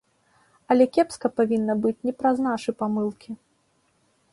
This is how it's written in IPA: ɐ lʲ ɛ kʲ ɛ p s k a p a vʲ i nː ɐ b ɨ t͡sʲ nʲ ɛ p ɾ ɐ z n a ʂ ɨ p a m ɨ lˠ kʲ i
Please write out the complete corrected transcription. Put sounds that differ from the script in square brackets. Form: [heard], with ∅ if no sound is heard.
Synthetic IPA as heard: ɐ lʲ ɛ kʲ ɛ p s k [ɐ] p a vʲ i nː ɐ b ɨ t͡sʲ nʲ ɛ p ɾ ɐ z n a ʂ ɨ p a m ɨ lˠ kʲ i